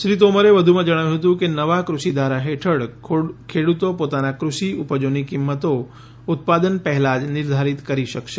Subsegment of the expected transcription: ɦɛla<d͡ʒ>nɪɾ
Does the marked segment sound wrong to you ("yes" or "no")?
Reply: no